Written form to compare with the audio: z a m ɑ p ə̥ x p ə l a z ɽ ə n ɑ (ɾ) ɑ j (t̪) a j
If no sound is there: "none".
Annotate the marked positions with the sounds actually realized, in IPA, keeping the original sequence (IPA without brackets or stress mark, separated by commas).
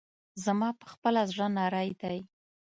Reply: ɾ, d̪